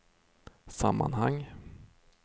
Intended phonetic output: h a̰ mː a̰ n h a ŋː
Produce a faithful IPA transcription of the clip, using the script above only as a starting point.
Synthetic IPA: s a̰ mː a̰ n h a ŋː